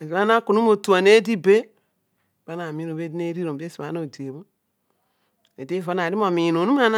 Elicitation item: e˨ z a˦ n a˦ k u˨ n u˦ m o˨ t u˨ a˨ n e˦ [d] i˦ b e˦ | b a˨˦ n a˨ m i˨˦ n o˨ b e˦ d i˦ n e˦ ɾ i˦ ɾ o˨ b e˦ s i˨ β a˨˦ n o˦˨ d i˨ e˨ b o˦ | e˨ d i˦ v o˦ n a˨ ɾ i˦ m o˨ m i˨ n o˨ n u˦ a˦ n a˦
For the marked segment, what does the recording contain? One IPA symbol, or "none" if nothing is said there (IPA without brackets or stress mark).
d